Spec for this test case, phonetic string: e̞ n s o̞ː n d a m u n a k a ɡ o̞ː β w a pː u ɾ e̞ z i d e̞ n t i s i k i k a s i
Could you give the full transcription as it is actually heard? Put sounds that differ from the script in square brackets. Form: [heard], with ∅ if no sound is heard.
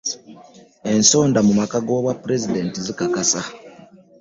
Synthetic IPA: e̞ n s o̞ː n d a m u [m] a k a ɡ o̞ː β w a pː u ɾ e̞ z i d e̞ n t i [z] i k [a] k a s [a]